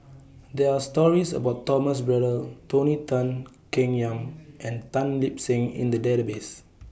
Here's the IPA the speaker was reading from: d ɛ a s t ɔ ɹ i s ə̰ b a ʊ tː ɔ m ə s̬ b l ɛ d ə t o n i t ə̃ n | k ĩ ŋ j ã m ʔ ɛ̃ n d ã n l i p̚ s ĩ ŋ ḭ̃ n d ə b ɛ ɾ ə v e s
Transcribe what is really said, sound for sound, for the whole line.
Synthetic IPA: d ɛ a s t ɔ ɹ i s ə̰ b a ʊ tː ɔ m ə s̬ b ɹ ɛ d ə t o n i t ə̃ n | k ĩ ŋ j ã m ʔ ɛ̃ n t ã n l i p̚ s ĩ ŋ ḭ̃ n d ə d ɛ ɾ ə b e s